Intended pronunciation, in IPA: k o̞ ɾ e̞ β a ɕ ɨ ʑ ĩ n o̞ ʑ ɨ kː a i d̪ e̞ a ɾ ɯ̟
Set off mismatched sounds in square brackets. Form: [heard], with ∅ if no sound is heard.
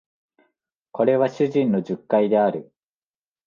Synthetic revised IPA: k o̞ ɾ e̞ β a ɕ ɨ ʑ ĩ n o̞ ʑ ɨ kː a i d̪ e̞ a ɾ ɯ̟